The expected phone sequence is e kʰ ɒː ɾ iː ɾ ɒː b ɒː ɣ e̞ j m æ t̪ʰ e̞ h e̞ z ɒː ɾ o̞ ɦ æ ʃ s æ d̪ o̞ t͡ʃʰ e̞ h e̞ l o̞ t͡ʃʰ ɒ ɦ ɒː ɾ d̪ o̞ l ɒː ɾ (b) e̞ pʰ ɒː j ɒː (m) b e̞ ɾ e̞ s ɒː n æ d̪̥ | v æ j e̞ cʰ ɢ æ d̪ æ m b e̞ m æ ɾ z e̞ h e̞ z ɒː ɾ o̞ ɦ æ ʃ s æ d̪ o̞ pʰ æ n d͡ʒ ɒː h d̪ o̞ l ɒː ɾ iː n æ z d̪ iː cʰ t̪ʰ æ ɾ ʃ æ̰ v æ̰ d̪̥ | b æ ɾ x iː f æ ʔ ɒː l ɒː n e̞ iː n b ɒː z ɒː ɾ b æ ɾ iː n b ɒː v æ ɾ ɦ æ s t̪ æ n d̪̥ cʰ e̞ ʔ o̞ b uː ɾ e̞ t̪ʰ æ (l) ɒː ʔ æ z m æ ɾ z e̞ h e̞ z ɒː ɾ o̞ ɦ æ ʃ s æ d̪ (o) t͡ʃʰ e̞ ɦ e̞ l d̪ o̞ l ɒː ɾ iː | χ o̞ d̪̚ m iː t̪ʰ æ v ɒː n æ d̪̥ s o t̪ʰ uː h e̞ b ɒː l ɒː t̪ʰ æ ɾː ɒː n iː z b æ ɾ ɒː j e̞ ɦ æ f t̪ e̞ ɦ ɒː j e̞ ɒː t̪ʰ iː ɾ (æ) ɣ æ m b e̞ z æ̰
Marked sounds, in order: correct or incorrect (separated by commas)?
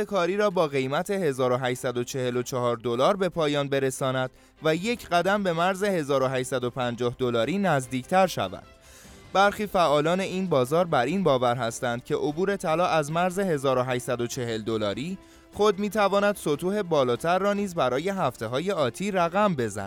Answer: correct, incorrect, correct, correct, correct